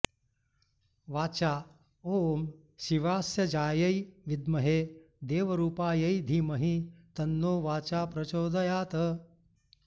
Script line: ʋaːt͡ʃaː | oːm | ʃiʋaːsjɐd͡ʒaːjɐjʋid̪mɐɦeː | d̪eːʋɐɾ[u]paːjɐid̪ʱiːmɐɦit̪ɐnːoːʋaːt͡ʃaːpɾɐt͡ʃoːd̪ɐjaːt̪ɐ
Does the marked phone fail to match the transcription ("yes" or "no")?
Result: yes